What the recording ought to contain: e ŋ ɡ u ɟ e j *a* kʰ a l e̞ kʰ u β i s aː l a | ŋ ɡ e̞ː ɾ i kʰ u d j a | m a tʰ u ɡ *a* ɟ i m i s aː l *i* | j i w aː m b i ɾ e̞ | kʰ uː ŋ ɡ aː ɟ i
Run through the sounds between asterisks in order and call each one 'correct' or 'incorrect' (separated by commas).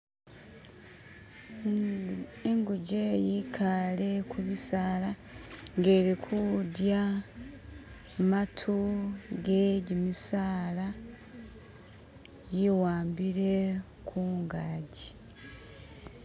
incorrect, incorrect, incorrect